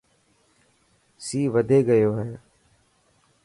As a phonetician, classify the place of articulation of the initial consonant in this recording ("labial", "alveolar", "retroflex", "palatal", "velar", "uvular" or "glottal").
alveolar